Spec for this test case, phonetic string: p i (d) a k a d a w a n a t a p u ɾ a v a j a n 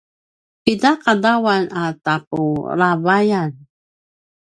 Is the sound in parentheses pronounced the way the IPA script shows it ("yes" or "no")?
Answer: yes